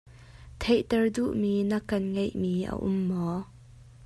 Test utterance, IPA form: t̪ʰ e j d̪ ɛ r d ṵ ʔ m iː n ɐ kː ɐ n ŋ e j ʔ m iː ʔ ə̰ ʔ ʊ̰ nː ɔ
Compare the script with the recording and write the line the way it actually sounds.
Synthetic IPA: t̪ʰ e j t̪ ɛ r d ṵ ʔ m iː n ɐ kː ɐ n ŋ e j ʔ m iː ʔ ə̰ ʔ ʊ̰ mː ɔ

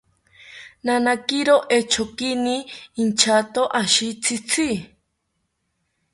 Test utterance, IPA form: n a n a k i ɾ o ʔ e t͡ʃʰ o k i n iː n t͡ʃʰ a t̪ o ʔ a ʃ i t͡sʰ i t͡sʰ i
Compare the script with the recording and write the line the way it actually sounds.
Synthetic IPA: n a n a k i ɾ o ʔ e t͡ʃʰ o k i n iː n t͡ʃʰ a t̪ o ʔ a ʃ i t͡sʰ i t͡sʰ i

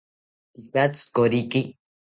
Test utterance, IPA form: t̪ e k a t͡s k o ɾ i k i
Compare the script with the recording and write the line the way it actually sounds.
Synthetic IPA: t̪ i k a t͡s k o ɾ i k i

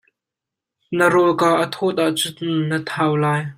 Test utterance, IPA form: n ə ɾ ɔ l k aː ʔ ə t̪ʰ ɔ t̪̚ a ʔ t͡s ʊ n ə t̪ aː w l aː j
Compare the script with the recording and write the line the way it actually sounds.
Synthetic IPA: n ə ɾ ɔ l k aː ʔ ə t̪ʰ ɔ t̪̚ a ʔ t͡s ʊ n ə t̪ʰ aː w l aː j

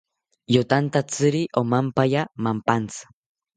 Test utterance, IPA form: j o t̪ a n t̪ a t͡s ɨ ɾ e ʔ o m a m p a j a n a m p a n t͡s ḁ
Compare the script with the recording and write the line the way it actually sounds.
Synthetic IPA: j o t̪ a n t̪ a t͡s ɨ ɾ i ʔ o m a m p a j a m a m p a n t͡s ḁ

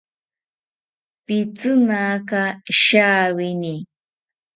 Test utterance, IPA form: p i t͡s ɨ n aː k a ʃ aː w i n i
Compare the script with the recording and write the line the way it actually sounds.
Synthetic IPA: p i t͡s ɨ n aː k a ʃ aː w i n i

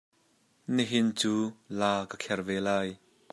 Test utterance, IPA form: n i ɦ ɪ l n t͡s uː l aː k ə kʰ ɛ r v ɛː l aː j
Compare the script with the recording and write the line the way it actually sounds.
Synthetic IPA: n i ɦ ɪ n t͡s uː l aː k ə kʰ ɛ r v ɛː l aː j

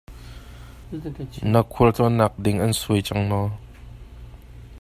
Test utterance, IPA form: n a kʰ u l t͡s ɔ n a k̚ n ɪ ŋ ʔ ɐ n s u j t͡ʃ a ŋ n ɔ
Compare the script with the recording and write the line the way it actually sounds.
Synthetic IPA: n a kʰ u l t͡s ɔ n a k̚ d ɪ ŋ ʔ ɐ n s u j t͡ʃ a ŋ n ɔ

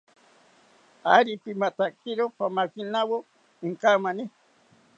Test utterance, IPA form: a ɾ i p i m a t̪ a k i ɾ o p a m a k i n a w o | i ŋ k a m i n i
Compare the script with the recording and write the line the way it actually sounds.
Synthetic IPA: a ɾ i p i m a t̪ a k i ɾ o p a m a k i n a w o | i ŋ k a m a n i

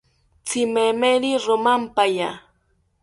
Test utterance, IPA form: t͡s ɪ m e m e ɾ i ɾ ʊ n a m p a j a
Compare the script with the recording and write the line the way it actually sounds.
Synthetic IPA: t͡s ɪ m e m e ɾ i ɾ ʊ m a m p a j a

